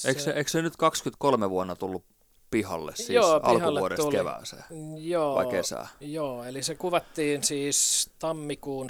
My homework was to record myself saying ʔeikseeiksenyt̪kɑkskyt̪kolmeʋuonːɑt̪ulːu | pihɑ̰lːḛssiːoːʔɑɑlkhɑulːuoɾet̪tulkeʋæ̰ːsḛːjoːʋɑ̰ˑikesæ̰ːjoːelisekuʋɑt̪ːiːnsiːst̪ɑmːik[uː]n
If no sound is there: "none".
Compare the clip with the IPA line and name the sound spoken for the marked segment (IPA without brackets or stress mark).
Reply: uː